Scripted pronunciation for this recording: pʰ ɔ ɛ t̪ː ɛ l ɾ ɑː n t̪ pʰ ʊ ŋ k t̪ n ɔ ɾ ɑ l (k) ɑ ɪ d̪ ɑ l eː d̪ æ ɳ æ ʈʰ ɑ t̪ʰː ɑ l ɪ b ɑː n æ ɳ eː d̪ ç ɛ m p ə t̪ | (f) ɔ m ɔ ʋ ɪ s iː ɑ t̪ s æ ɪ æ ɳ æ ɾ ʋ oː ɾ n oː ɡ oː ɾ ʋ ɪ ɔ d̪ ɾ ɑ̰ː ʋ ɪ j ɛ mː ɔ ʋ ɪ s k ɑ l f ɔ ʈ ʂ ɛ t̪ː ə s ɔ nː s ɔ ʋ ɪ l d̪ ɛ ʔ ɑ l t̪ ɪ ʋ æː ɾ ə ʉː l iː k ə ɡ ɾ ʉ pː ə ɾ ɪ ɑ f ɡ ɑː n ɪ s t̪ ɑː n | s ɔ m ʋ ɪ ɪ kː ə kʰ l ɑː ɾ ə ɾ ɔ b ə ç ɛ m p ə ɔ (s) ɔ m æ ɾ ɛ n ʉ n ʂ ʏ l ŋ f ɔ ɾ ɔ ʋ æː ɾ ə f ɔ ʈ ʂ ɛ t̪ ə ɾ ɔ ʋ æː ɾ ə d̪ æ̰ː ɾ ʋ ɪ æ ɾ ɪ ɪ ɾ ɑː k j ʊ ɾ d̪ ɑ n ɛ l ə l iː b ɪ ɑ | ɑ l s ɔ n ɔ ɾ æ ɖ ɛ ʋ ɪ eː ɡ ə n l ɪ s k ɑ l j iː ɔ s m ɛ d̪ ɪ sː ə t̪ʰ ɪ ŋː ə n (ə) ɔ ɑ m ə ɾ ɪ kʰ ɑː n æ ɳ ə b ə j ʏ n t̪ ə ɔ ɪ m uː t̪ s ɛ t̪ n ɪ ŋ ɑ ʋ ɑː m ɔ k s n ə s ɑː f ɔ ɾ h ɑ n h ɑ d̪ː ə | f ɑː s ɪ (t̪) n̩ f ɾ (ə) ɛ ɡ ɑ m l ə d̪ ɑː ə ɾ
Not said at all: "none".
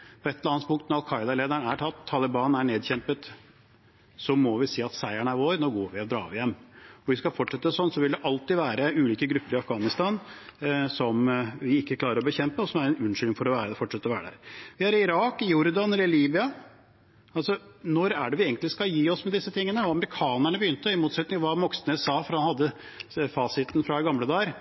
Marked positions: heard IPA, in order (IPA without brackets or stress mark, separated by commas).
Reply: kʰ, s, s, ə, t̪, ɑ